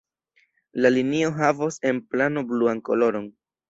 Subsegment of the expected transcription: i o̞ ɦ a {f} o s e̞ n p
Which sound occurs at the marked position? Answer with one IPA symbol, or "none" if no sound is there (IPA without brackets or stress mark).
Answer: v